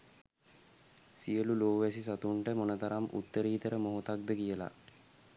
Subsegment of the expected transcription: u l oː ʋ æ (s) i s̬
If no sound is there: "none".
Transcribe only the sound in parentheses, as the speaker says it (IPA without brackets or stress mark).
s